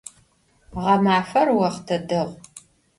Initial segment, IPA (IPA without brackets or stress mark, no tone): ʁ